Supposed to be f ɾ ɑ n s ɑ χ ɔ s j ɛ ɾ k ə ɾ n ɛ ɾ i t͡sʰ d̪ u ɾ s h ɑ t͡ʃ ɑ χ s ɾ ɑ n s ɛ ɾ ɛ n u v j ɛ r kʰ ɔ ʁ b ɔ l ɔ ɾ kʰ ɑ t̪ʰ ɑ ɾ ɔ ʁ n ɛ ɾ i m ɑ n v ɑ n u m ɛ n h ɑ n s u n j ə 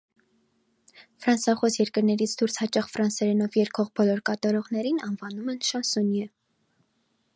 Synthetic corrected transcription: f ɾ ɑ n s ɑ χ ɔ s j ɛ ɾ k ə ɾ n ɛ ɾ i t͡sʰ d̪ u ɾ s h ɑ t͡ʃ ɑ χ f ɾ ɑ n s ɛ ɾ ɛ n ɔ v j ɛ ɾ kʰ ɔ ʁ b ɔ l ɔ ɾ k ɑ t̪ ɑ ɾ ɔ ʁ n ɛ ɾ i n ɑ n v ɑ n u m ɛ n ʃ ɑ n s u n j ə